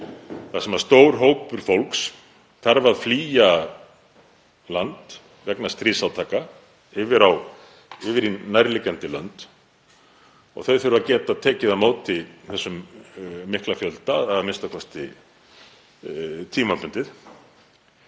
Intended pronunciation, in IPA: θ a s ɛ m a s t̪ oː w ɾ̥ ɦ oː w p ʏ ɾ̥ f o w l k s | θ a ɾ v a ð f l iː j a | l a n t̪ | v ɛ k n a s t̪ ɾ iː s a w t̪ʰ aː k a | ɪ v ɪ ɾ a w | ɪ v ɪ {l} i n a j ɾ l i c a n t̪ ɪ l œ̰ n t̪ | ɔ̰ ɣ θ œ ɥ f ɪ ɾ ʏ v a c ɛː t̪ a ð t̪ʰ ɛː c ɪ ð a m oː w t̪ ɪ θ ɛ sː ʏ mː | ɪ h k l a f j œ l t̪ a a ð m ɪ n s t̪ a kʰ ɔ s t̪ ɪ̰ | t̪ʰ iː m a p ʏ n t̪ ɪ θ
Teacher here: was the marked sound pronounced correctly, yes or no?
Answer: no